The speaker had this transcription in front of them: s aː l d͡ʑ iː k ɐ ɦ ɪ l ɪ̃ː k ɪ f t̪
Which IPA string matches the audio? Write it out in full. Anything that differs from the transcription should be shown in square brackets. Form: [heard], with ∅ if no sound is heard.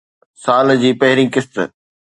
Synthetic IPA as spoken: s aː l d͡ʑ iː [p] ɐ ɦ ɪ [ɾ] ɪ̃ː k ɪ [s] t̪